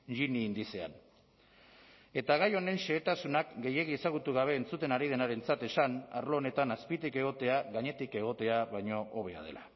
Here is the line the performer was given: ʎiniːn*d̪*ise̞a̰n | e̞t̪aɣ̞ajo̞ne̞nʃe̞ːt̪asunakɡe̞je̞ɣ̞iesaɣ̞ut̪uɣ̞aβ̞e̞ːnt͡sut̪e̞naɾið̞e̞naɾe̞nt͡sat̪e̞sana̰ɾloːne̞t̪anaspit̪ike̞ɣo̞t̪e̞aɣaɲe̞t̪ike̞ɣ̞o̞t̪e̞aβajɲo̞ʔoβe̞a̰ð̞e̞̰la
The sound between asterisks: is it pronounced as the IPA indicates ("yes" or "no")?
yes